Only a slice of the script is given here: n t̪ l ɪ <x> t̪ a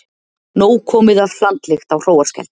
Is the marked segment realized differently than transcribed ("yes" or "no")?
no